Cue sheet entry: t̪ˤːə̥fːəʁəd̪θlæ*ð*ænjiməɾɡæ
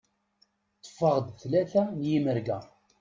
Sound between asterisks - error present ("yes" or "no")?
yes